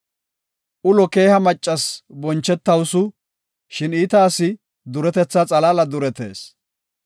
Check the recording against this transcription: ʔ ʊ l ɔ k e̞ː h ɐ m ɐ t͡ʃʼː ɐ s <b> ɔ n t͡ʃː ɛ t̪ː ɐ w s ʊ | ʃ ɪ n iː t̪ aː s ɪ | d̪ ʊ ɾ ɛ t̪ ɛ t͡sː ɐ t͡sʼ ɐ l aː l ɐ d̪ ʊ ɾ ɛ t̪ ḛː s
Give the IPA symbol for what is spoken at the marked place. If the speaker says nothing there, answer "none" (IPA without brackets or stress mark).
b